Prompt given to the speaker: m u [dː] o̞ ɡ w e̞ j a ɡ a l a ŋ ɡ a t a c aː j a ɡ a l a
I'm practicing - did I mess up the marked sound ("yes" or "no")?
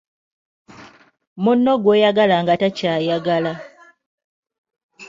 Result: yes